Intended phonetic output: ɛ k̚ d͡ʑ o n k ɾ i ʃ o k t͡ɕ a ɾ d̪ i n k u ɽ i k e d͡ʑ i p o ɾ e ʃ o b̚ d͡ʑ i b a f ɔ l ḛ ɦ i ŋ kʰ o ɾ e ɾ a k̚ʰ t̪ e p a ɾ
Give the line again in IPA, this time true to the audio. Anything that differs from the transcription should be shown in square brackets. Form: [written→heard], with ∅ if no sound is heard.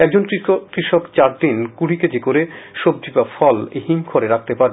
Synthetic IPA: ɛ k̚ d͡ʑ o n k ɾ i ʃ o k t͡ɕ a ɾ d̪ i n k u ɽ i k e d͡ʑ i [p→k] o ɾ e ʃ o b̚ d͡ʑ i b a f ɔ l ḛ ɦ i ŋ kʰ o ɾ e ɾ a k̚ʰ t̪ e p a ɾ